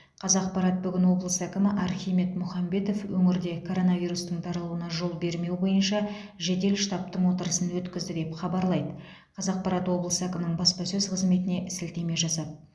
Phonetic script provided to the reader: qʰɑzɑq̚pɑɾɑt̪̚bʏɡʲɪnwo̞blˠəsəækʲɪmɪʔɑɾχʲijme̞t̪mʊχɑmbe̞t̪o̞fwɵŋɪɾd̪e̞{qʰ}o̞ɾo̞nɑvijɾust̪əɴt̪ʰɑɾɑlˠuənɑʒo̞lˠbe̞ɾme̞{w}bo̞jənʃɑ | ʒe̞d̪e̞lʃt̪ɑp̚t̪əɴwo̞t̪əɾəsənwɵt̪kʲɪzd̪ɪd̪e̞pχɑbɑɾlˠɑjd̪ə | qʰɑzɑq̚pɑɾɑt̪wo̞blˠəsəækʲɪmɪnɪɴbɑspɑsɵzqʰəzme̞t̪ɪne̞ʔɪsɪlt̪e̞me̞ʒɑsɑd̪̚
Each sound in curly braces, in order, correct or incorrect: incorrect: kʰ, correct

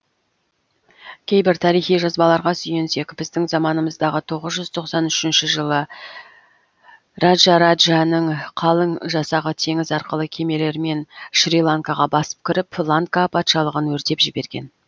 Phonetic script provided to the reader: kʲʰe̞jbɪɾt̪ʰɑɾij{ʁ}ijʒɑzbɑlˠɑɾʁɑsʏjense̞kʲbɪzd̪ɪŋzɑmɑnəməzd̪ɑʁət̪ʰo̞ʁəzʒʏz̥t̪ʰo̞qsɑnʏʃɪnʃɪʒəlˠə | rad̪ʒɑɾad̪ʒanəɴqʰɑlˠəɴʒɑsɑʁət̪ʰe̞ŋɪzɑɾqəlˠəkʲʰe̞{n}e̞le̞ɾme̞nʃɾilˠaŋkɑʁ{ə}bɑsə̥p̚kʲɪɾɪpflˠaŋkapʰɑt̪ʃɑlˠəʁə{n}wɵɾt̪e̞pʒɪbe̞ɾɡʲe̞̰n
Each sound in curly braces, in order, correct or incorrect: incorrect: χ, incorrect: m, incorrect: ɑ, correct

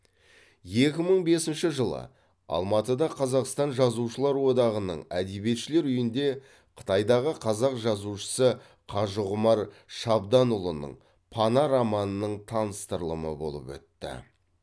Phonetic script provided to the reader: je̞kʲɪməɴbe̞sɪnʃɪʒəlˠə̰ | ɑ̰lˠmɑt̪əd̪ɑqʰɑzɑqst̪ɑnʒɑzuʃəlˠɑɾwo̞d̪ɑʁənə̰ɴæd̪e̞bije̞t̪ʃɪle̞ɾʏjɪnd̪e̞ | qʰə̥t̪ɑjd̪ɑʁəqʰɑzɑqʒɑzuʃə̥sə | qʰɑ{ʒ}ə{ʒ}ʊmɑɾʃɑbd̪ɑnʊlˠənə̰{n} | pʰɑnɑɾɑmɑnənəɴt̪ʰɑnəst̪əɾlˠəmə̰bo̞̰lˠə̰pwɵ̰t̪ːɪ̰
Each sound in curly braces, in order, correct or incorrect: correct, incorrect: ʁ, incorrect: ɴ

